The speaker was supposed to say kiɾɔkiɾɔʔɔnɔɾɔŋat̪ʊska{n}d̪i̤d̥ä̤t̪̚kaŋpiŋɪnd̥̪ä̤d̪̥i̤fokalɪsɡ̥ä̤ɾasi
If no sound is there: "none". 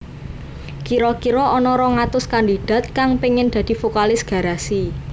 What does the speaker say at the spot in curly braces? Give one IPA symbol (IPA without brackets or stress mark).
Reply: n